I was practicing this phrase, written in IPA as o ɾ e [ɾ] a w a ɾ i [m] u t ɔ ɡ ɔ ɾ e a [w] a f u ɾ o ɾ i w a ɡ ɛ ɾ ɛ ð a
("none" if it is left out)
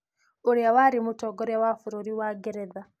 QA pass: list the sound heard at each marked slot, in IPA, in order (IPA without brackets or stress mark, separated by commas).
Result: none, m, w